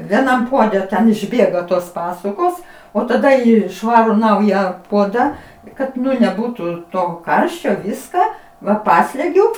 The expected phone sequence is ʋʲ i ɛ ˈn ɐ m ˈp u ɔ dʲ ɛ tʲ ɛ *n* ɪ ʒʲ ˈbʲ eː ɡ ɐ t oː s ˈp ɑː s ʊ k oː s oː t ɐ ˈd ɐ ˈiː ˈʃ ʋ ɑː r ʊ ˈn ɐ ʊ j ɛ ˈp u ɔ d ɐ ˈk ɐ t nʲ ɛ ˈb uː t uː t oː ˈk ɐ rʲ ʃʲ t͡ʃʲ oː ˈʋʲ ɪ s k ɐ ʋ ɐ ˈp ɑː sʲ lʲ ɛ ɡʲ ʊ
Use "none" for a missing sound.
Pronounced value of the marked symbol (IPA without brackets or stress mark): n